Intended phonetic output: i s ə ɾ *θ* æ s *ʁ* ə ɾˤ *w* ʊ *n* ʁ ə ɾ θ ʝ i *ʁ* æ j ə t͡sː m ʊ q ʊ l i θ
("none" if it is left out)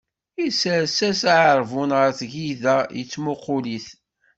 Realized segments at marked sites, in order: s, ʕ, v, n, ð

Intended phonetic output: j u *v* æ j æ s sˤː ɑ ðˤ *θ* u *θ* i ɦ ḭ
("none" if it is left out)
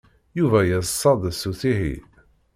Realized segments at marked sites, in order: v, s, θ

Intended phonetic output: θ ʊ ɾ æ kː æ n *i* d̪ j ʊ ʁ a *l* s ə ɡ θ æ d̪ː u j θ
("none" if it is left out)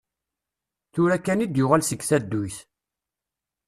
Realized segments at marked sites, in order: i, l

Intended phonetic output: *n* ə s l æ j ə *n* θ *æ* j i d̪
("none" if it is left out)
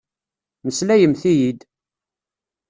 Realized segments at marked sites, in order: m, m, i

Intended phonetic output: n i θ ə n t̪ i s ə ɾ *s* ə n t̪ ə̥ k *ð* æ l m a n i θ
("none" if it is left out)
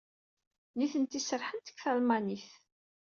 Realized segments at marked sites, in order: ħ, θ

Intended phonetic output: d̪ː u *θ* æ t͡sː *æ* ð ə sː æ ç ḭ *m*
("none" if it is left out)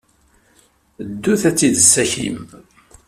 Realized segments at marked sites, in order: θ, i, m

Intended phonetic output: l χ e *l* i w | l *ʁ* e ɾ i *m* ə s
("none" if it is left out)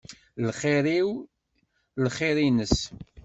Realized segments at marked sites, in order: ɾ, χ, n

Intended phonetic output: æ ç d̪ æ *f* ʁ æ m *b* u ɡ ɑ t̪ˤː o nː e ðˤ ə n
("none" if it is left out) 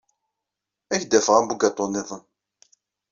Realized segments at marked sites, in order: f, b

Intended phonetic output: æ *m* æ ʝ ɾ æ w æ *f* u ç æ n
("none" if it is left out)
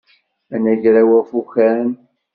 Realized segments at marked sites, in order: n, f

